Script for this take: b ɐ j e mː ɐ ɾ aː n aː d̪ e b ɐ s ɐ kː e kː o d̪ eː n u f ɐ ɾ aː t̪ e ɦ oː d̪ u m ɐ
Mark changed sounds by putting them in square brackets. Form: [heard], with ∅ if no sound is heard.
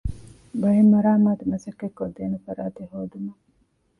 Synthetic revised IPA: b ɐ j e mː ɐ ɾ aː [m] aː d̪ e [m] ɐ s ɐ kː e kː o d̪ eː n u f ɐ ɾ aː t̪ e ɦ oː d̪ u m ɐ